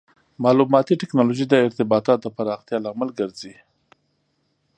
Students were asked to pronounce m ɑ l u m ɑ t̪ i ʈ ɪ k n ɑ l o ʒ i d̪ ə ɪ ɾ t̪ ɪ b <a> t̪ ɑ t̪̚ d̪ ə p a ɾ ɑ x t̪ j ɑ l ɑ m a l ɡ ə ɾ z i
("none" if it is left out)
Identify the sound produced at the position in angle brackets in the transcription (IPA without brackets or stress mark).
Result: ɑ